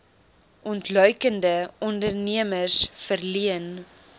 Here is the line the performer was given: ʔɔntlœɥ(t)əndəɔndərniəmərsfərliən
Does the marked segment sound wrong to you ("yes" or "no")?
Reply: yes